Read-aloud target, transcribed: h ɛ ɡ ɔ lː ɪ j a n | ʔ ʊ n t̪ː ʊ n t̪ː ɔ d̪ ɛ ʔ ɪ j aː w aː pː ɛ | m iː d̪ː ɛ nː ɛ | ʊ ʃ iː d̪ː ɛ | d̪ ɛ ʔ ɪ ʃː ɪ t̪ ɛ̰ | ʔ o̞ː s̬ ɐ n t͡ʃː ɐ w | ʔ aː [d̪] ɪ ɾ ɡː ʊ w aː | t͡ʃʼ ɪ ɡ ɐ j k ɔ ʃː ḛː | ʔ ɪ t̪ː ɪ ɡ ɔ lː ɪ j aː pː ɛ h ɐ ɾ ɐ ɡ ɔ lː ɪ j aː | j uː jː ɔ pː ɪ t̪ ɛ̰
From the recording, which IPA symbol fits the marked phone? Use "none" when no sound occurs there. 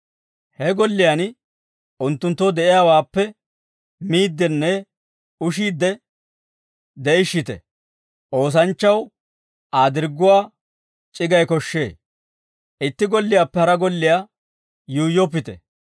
d̪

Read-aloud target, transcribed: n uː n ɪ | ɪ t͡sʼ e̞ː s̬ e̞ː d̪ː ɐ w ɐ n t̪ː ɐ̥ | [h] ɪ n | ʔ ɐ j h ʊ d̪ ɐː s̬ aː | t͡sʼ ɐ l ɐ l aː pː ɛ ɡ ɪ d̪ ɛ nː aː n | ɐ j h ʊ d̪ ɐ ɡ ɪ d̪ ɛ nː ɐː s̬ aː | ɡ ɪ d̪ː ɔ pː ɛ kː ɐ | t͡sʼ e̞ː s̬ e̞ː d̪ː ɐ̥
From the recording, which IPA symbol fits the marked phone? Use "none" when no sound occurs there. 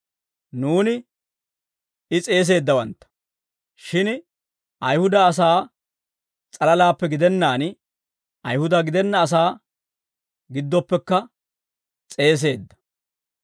ʃ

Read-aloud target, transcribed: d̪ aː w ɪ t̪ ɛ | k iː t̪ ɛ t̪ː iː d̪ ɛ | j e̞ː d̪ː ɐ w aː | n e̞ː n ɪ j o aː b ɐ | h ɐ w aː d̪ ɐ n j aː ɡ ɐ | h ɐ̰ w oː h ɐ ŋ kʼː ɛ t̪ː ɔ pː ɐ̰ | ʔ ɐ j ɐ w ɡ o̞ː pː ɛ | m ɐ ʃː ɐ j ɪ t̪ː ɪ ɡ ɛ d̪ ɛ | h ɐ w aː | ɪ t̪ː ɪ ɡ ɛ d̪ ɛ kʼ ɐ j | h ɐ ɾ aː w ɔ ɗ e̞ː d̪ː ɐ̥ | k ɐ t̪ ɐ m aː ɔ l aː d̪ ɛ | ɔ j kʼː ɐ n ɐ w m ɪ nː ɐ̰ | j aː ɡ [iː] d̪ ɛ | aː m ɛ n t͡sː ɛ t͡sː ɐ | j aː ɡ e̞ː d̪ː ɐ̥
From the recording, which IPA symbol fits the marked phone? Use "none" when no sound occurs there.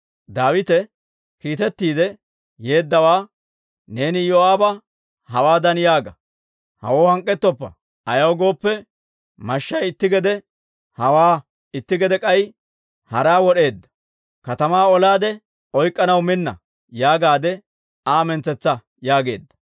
aː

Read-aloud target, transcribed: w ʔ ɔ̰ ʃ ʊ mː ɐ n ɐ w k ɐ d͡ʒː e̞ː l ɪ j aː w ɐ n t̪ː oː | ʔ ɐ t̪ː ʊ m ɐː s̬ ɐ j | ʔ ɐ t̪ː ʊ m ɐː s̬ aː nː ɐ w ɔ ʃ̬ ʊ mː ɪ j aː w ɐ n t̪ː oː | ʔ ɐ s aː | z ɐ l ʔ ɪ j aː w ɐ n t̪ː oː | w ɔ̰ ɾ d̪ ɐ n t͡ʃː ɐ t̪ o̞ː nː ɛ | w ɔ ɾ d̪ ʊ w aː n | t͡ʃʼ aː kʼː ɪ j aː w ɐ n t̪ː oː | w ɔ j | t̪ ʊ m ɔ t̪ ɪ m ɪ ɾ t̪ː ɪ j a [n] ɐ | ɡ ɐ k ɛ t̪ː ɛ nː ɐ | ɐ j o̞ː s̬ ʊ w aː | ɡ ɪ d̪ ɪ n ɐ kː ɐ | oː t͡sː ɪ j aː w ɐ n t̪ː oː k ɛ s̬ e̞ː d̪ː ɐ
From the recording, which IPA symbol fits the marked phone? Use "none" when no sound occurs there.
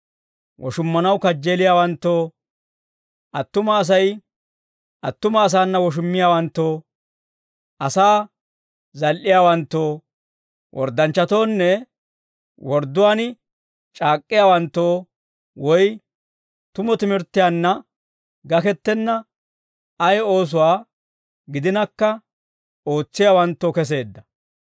nː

